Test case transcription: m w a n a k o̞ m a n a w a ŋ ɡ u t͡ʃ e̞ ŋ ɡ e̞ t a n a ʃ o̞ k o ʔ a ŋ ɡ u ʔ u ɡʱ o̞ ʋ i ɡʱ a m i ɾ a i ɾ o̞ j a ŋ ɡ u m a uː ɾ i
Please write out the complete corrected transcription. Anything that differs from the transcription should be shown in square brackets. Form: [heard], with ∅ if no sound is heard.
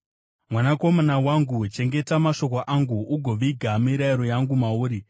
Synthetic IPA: m w a n a k o̞ m a n a w a ŋ ɡ u t͡ʃ e̞ ŋ ɡ e̞ t a [m] a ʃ o̞ k o ʔ a ŋ ɡ u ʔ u ɡʱ o̞ ʋ i ɡʱ a m i ɾ a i ɾ o̞ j a ŋ ɡ u m a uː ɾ i